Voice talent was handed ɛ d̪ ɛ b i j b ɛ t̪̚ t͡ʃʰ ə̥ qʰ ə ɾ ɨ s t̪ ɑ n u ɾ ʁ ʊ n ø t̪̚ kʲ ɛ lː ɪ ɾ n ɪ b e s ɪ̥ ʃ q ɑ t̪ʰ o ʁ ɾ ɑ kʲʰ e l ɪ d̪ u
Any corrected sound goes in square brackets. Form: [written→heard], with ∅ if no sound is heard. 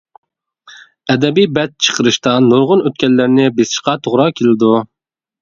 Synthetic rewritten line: ɛ d̪ ɛ b i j b ɛ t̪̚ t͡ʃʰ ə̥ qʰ ə ɾ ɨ [s→ʃ] t̪ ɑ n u ɾ ʁ ʊ n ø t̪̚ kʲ ɛ lː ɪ ɾ n ɪ b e s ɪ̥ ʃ q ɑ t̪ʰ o ʁ ɾ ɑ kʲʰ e l ɪ d̪ u